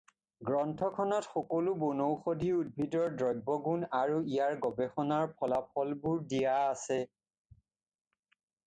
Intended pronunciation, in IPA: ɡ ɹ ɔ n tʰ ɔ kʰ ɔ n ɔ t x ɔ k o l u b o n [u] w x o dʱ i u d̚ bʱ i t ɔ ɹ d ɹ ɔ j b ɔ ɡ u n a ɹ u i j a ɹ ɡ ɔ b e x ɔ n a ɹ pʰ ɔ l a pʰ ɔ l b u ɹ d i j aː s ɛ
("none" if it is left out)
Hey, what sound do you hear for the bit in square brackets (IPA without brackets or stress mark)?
o